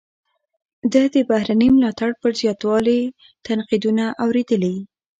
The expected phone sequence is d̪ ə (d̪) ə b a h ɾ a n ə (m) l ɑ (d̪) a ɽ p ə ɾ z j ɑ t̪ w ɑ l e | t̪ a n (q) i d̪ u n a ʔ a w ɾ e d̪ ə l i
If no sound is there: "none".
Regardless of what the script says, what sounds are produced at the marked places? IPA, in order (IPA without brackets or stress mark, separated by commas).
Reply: d̪, m, t̪, q